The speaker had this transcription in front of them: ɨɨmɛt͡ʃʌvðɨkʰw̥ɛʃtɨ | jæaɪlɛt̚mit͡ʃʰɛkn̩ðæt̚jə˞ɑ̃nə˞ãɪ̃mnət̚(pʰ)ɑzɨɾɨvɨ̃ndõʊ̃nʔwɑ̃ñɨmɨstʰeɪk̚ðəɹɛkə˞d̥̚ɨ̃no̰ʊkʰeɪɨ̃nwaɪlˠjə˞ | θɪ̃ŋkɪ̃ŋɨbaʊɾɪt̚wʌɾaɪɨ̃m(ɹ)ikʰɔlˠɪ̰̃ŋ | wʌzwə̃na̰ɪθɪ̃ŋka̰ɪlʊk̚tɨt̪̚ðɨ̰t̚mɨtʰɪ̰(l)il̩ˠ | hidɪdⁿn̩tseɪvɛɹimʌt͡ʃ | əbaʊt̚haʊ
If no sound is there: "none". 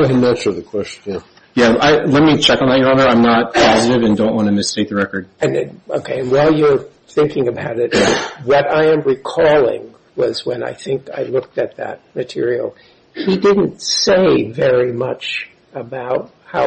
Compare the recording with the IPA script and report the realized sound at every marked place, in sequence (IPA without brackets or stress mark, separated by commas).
pʰ, ɹ, ɹ